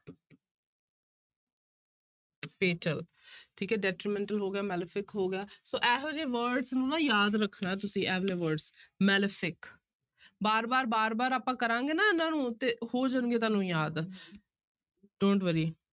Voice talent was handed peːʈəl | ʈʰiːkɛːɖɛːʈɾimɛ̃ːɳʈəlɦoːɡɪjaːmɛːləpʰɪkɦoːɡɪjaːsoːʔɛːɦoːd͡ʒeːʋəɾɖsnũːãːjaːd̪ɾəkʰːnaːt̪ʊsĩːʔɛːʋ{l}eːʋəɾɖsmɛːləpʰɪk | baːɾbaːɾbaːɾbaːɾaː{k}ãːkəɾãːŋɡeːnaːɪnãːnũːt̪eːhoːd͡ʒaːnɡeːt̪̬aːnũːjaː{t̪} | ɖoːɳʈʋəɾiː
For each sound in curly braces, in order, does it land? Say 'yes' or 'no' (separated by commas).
yes, no, no